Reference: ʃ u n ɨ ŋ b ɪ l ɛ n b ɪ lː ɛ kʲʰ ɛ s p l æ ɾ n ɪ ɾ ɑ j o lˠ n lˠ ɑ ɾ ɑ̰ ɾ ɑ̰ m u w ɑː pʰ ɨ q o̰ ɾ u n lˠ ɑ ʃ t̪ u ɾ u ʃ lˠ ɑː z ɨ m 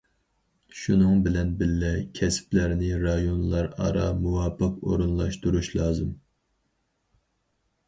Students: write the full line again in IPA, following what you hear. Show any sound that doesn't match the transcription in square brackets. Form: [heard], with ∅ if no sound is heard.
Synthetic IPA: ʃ u n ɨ ŋ b ɪ l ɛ n b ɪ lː ɛ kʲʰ ɛ s p l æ ɾ n ɪ ɾ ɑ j o [∅] n lˠ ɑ ɾ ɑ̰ ɾ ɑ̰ m u w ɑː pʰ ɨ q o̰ ɾ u n lˠ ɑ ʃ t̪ u ɾ u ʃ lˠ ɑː z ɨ m